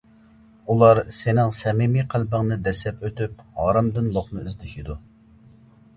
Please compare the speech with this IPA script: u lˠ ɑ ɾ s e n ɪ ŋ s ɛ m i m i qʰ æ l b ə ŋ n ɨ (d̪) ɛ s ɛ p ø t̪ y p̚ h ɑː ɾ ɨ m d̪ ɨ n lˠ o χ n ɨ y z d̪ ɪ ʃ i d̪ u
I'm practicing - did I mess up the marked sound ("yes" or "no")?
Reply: no